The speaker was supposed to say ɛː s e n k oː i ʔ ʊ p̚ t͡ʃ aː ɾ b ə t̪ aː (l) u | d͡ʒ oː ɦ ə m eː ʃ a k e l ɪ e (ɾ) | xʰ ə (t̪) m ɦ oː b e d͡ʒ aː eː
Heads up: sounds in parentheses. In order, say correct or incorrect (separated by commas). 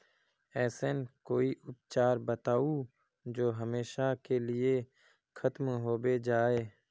incorrect, incorrect, correct